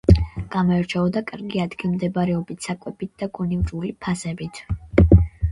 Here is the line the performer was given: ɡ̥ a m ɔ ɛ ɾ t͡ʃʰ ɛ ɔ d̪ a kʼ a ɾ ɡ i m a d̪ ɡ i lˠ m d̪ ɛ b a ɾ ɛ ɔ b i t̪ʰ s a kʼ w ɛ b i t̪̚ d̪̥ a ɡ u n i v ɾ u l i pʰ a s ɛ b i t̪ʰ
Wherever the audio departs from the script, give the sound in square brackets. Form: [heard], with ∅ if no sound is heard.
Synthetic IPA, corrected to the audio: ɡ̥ a m ɔ ɛ ɾ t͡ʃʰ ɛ ɔ d̪ a kʼ a ɾ ɡ i [∅] a d̪ ɡ i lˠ m d̪ ɛ b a ɾ ɛ ɔ b i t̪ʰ s a kʼ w ɛ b i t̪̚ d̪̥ a ɡ u n i v ɾ u l i pʰ a s ɛ b i t̪ʰ